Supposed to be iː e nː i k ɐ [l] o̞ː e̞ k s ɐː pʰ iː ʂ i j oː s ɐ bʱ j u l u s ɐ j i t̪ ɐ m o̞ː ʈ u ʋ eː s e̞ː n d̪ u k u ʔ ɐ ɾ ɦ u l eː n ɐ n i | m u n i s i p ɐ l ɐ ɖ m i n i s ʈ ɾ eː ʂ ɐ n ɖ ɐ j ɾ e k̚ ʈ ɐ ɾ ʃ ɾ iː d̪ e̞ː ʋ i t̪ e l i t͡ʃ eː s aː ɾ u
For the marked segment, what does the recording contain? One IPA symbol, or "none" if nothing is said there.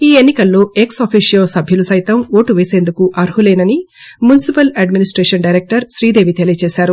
lː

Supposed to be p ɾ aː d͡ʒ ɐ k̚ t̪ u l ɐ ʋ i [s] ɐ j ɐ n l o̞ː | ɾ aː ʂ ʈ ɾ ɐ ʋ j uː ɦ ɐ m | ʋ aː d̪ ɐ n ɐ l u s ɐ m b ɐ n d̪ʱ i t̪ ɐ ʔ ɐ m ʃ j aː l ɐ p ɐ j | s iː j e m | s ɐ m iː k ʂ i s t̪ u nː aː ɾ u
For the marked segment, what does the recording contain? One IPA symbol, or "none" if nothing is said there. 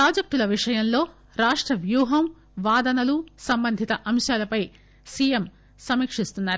ʂ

